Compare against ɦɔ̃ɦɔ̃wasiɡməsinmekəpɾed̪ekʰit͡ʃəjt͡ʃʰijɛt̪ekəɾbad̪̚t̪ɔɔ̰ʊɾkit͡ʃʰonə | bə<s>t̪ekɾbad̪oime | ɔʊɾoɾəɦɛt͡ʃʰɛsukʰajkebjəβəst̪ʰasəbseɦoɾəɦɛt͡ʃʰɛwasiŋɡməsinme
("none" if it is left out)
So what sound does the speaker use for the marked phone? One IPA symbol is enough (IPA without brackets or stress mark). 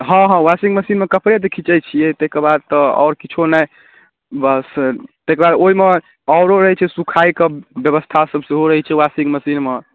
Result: s